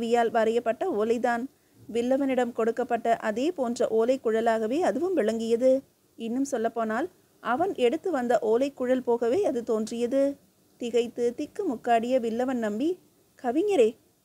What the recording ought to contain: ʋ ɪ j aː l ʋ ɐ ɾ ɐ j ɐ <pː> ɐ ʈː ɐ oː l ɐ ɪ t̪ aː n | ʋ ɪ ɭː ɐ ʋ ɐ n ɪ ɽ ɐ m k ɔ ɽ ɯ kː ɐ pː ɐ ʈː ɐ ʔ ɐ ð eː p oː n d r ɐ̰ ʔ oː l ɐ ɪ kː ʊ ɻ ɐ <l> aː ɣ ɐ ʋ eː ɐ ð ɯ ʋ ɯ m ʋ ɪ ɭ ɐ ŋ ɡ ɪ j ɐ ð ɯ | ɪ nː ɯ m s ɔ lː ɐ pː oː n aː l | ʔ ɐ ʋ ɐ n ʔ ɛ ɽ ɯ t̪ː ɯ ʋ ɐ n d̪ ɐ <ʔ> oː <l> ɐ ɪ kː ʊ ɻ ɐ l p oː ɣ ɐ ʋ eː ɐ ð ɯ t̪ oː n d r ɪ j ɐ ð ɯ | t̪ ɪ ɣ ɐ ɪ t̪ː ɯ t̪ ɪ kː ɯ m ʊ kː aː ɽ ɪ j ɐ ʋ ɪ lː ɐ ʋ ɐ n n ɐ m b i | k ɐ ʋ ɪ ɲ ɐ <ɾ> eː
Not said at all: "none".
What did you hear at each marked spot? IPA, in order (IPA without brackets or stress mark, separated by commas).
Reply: pː, l, ʔ, l, ɾ